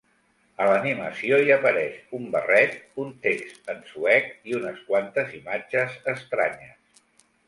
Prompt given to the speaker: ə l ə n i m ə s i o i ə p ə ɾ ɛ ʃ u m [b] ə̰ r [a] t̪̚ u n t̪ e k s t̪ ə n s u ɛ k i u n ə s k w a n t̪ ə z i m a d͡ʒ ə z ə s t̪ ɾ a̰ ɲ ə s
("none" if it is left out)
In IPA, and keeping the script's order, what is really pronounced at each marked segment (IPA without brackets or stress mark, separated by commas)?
b, ɛ